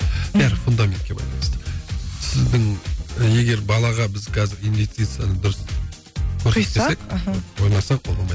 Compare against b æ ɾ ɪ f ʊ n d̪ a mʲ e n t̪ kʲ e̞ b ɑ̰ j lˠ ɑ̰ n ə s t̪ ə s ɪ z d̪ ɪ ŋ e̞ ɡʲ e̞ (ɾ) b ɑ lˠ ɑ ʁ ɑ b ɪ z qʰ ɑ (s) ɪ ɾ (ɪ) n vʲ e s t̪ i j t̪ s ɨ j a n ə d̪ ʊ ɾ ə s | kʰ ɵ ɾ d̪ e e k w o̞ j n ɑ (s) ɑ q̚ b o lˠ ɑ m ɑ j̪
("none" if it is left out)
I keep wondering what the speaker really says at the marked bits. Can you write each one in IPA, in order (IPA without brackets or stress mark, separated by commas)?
ɾ, z, i, s